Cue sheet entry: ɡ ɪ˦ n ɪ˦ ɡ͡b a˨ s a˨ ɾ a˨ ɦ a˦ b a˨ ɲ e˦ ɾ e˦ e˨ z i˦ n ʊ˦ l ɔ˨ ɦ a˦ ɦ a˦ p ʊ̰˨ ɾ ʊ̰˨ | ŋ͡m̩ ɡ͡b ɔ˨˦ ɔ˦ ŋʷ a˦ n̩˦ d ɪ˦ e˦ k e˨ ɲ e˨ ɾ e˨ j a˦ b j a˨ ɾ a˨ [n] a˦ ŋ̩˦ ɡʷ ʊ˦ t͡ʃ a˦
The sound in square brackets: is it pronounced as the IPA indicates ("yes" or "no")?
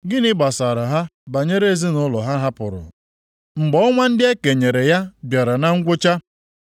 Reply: yes